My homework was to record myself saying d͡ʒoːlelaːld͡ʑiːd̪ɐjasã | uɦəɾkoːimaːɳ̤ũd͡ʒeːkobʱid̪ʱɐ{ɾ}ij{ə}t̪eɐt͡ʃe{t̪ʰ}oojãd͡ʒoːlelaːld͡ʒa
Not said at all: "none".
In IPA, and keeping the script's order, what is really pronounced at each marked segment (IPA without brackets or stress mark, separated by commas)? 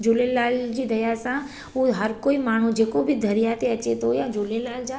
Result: ɾ, a, t̪